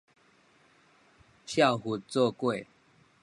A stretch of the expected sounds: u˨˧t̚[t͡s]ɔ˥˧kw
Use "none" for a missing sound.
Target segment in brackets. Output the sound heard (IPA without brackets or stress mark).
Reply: t͡s